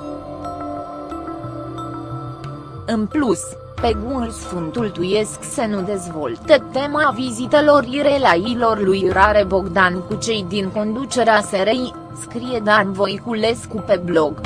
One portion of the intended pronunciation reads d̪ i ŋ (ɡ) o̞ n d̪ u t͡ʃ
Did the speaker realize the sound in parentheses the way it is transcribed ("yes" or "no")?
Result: no